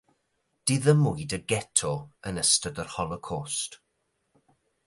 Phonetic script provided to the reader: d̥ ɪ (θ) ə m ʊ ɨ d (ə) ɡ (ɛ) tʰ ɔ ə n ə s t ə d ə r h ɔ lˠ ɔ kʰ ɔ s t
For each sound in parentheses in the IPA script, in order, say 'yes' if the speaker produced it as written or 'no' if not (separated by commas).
no, yes, yes